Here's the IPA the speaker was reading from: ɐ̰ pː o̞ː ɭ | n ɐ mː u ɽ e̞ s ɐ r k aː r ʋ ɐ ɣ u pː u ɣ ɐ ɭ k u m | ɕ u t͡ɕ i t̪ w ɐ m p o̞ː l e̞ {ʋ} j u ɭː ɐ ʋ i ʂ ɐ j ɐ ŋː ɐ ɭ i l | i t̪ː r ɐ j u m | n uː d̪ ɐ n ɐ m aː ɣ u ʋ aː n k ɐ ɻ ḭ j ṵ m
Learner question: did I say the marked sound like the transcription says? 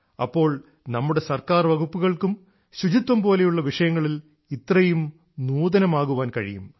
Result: no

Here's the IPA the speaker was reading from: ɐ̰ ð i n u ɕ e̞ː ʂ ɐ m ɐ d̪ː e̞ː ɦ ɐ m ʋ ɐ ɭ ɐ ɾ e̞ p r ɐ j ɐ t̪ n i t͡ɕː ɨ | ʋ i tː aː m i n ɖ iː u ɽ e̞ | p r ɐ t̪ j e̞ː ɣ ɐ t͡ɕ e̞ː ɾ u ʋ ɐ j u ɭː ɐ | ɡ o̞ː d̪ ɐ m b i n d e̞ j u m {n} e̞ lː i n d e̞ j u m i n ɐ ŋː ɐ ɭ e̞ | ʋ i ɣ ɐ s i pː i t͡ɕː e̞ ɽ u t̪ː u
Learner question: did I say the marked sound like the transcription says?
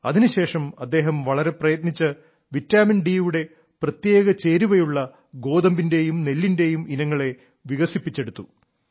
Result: yes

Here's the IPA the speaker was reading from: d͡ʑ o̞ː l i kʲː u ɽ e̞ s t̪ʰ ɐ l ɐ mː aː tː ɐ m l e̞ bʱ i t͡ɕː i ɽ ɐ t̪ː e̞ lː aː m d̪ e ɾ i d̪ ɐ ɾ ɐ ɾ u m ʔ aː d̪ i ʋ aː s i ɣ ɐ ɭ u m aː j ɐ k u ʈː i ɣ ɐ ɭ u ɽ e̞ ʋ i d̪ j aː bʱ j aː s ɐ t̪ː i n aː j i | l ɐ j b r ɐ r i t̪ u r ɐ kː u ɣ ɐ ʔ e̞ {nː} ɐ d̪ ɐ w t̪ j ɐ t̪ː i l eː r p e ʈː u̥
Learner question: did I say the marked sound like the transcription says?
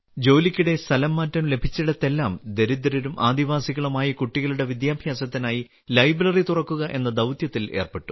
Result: yes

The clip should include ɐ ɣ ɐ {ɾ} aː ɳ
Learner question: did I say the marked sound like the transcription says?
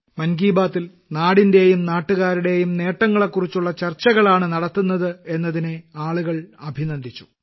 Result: no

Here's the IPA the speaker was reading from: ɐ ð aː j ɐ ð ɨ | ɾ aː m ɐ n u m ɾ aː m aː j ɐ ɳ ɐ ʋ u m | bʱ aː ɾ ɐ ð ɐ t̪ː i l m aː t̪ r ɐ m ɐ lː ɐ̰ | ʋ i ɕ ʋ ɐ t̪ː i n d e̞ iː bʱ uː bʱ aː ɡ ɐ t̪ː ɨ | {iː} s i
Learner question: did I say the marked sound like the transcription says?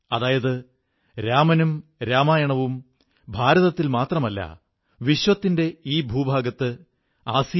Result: no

